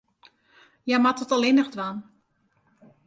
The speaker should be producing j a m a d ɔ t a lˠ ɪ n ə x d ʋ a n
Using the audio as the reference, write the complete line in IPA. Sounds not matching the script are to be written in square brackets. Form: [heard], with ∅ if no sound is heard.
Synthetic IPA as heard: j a m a [t] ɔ t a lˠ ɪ n ə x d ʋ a n